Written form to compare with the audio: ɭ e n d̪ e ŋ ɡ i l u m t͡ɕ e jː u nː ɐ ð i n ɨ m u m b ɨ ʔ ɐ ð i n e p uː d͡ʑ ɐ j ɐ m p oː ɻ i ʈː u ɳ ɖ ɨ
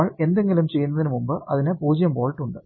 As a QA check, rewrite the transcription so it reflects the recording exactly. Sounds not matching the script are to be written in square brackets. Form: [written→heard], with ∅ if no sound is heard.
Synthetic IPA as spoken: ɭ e n d̪ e ŋ ɡ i l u m t͡ɕ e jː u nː ɐ ð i n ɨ m u m b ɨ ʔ ɐ ð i n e p uː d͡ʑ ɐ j ɐ m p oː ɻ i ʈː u ɳ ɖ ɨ